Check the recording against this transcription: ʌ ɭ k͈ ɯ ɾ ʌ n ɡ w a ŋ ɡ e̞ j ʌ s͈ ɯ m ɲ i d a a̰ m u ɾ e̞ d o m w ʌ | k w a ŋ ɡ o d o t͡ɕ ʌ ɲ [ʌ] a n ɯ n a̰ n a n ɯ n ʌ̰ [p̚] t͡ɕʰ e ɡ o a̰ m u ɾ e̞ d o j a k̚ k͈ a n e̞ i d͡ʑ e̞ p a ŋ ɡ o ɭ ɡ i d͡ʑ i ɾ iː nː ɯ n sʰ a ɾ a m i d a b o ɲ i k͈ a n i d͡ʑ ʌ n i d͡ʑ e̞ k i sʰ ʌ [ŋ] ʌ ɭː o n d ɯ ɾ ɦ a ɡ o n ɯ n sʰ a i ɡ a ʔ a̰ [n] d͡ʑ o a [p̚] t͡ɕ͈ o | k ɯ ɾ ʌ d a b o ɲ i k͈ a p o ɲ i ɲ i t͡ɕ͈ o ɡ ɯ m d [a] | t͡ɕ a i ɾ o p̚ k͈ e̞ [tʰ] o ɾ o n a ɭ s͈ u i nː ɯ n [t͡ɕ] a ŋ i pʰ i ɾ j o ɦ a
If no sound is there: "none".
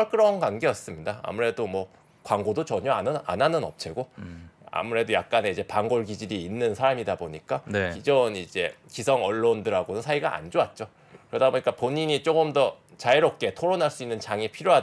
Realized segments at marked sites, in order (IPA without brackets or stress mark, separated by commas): ʌ, p̚, ŋ, n, t̚, ʌ, tʰ, t͡ɕ